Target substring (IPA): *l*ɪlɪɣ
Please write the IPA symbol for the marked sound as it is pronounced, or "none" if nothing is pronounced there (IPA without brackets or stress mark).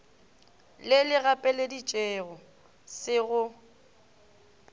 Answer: l